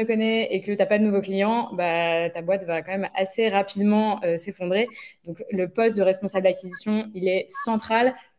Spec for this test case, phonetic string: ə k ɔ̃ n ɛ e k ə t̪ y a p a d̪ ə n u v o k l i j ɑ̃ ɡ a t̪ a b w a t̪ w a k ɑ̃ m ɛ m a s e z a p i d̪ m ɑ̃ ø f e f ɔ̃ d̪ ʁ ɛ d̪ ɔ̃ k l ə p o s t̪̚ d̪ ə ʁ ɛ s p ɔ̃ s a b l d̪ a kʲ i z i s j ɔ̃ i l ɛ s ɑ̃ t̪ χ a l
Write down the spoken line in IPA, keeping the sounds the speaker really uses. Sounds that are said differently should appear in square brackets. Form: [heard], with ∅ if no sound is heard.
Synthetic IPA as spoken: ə k [ɔ] n ɛ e k ə t̪ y a p a d̪ ə n u v o k l i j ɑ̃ [b] a t̪ a b w a t̪ [v] a k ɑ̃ m ɛ m a s e [ʁ] a p i d̪ m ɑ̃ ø [s] e f ɔ̃ d̪ ʁ [e] d̪ ɔ̃ k l ə p [ɔ] s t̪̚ d̪ ə ʁ ɛ s p ɔ̃ s a b l d̪ a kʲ i z i s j ɔ̃ i l ɛ s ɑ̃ t̪ χ a l